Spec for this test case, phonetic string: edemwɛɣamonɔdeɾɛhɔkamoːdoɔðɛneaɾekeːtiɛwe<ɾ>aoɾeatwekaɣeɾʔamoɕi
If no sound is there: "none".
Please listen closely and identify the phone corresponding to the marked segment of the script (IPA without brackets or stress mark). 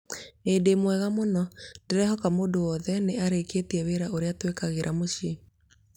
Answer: ɾ